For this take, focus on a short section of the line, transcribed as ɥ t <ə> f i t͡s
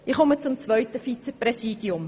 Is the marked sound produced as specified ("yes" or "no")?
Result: yes